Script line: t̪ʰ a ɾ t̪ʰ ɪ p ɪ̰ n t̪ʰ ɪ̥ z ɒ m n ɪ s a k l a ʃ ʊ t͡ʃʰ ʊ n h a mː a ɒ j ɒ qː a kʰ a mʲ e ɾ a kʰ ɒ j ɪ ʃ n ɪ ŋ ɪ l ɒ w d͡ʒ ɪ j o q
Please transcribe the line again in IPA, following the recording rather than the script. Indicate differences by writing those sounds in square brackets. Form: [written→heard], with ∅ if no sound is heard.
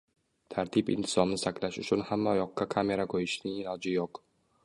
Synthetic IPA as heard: t̪ʰ a ɾ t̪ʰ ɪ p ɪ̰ n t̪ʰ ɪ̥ z ɒ m n ɪ s a k l a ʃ ʊ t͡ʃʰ ʊ n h a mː a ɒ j ɒ qː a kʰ a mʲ e ɾ a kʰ [ɒ→o] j ɪ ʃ n ɪ ŋ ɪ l ɒ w d͡ʒ ɪ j o q